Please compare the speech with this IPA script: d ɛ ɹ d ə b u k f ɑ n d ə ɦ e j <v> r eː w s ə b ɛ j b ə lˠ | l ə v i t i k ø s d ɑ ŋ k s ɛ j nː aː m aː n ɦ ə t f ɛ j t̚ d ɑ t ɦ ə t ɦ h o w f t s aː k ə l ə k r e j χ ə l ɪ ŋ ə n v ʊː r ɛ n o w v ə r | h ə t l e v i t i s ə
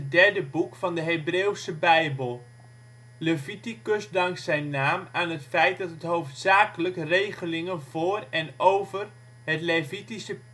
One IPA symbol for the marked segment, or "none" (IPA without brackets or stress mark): b